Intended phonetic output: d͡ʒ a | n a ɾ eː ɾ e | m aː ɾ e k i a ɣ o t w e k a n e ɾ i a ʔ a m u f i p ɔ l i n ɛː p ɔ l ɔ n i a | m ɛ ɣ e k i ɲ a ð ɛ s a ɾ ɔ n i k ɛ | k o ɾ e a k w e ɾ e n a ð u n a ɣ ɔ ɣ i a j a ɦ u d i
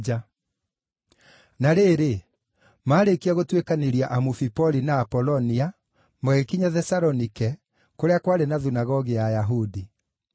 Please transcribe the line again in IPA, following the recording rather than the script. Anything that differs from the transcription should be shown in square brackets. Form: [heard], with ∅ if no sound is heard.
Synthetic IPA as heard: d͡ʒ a | n a ɾ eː ɾ e | m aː ɾ e k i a ɣ o t w e k a n e ɾ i a ʔ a m u f i p ɔ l i n [aː] p ɔ l ɔ n i a | m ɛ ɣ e k i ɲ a ð ɛ s a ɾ ɔ n i k ɛ | k o ɾ e a k w [a] ɾ e n a ð u n a ɣ ɔ ɣ i a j a ɦ u d i